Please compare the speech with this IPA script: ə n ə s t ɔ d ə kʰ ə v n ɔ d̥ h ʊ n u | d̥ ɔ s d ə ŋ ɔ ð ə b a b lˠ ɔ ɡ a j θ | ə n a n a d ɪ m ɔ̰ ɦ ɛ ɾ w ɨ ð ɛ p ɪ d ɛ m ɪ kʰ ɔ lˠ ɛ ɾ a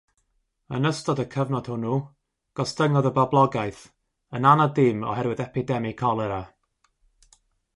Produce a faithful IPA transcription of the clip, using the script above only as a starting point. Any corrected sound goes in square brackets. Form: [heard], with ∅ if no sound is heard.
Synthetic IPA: ə n ə s t ɔ d ə kʰ ə v n ɔ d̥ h ʊ n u | [ɡ̥] ɔ s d ə ŋ ɔ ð ə b a b lˠ ɔ ɡ a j θ | ə n a n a d ɪ m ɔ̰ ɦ ɛ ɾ w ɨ ð ɛ p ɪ d ɛ m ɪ kʰ ɔ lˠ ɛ ɾ a